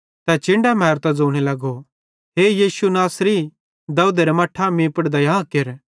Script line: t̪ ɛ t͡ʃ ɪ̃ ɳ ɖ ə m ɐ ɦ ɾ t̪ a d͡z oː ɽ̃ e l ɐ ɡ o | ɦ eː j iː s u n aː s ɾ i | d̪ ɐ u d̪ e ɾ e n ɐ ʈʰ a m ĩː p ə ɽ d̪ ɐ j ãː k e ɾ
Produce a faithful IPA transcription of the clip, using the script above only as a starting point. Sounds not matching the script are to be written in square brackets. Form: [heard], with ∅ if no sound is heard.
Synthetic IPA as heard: t̪ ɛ t͡ʃ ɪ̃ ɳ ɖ [a] m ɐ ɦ ɾ t̪ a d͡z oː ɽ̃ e l ɐ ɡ o | ɦ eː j iː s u n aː s ɾ i | d̪ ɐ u d̪ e ɾ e [m] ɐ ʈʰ a m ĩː p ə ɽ d̪ ɐ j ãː k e ɾ